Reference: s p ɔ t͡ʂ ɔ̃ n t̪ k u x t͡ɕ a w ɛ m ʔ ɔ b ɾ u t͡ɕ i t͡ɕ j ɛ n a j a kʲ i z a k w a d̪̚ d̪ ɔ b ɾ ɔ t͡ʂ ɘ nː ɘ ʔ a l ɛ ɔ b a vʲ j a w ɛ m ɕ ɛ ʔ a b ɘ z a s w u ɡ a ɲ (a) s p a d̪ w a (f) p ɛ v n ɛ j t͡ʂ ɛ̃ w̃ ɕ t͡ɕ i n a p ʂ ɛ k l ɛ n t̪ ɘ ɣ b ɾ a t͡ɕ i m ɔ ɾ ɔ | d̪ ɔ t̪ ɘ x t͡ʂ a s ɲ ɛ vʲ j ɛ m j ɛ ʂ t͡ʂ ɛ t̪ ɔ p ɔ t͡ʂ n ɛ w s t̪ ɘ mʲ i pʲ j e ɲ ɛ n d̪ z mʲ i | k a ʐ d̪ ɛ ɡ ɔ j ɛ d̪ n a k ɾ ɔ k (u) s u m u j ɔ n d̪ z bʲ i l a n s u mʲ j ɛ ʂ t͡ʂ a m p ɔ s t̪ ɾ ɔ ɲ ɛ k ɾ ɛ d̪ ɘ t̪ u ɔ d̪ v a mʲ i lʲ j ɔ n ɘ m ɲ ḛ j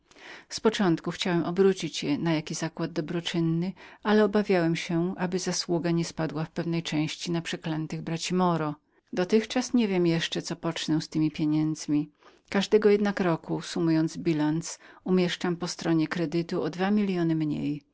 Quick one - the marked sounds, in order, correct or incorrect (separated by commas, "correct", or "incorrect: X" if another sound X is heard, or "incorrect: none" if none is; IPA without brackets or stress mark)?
incorrect: ɛ, correct, correct